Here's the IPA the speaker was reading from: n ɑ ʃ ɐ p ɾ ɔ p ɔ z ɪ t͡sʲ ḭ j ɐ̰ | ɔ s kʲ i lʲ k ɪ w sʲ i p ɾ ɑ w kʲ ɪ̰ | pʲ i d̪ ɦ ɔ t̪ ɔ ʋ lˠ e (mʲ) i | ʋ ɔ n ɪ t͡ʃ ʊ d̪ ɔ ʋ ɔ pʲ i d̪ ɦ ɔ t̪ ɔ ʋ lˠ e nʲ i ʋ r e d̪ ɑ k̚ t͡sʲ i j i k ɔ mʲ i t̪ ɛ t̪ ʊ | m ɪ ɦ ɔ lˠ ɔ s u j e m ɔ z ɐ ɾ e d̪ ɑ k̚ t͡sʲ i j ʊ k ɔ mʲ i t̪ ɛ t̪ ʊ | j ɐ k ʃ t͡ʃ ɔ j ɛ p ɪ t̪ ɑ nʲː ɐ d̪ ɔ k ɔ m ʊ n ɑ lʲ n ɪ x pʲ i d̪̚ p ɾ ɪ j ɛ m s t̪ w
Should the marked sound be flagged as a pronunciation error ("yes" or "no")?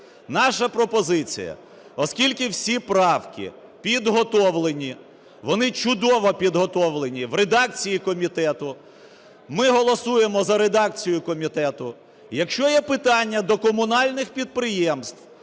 yes